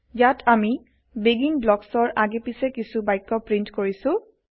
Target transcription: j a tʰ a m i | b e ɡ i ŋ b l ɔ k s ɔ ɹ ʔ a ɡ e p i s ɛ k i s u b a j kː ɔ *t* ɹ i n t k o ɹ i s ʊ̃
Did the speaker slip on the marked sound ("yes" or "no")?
yes